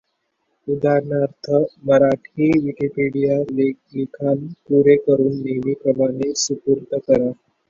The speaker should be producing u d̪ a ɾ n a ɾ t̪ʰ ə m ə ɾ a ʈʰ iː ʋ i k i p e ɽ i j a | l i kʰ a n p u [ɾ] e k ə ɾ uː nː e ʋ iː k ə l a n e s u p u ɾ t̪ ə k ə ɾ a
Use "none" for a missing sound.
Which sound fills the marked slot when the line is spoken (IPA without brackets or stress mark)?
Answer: ɾ